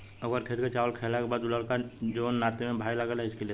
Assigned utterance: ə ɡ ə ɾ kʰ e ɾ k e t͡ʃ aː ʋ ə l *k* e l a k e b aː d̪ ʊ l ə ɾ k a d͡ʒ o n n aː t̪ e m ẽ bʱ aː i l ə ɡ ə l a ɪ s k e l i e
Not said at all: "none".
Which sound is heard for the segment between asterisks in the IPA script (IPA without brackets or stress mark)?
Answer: kʰ